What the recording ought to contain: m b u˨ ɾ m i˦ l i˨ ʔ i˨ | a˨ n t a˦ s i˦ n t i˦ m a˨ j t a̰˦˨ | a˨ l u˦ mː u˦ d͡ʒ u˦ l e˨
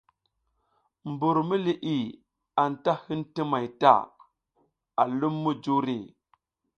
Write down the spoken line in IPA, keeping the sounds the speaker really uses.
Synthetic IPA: m b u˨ ɾ m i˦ l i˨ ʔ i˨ | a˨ n t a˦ h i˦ n t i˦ m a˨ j t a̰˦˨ | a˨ l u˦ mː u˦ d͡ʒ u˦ ɾ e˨